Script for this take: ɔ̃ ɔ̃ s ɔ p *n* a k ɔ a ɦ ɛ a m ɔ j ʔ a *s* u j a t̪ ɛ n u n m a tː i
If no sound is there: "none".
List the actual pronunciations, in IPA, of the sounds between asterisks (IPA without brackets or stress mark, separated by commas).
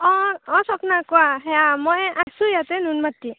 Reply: n, s